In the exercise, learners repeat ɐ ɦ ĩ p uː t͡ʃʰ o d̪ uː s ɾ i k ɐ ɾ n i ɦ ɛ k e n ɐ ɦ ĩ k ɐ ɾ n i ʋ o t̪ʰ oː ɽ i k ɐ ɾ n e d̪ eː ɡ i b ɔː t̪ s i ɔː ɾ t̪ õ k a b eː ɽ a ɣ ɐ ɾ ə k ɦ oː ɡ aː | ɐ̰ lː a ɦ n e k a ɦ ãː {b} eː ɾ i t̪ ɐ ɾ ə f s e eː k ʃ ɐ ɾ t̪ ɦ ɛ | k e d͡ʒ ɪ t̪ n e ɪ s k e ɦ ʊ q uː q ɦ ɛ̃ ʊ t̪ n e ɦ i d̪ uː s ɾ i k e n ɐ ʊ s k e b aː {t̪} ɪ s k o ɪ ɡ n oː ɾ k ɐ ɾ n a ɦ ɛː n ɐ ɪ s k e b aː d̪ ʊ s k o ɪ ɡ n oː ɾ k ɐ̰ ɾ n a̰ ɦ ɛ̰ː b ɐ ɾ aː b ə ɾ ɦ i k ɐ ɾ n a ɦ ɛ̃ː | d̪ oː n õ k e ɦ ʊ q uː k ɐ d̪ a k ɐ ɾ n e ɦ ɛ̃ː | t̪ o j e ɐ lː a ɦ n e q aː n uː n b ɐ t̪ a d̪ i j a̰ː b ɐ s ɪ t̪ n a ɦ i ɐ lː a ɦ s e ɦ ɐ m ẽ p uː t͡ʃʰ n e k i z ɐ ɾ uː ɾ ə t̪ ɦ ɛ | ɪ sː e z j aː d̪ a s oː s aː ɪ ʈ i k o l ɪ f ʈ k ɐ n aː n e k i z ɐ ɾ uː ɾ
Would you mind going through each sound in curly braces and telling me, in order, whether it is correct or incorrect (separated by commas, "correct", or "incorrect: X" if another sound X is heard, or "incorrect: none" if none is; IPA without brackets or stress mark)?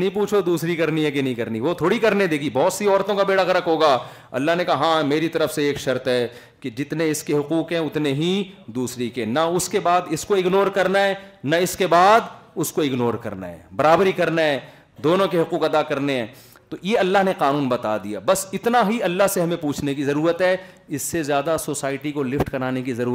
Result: incorrect: m, incorrect: d̪